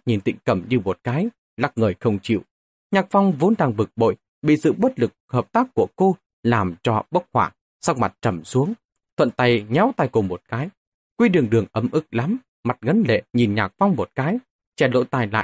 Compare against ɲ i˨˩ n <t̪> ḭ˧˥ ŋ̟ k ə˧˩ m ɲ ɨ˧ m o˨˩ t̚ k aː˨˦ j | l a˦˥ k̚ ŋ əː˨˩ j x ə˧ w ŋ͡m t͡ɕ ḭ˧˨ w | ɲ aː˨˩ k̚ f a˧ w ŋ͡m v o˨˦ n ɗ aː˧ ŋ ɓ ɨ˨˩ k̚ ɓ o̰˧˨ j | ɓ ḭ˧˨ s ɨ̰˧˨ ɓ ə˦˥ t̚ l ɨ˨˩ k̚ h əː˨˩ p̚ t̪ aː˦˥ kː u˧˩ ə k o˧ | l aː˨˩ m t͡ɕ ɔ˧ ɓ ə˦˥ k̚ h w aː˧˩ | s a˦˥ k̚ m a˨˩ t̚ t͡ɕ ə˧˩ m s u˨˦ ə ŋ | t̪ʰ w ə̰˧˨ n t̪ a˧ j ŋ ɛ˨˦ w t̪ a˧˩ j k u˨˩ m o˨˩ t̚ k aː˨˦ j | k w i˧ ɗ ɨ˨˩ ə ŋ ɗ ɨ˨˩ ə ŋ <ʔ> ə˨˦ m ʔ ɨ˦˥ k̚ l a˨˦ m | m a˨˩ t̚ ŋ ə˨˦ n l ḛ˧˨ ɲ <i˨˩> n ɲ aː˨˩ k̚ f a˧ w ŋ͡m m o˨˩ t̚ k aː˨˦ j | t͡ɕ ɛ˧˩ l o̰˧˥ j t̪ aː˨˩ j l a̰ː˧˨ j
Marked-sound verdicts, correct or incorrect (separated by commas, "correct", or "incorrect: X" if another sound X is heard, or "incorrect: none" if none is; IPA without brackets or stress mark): correct, correct, correct